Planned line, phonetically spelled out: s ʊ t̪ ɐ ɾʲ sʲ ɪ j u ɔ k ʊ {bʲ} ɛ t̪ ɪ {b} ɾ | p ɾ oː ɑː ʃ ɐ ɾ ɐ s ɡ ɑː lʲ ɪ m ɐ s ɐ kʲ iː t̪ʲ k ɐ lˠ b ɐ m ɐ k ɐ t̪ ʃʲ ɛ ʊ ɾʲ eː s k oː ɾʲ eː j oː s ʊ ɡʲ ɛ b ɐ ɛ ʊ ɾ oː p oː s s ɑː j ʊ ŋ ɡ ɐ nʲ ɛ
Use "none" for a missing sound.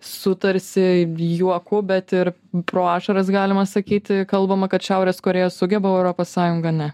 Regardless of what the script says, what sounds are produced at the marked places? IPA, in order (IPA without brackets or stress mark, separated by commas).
bʲ, none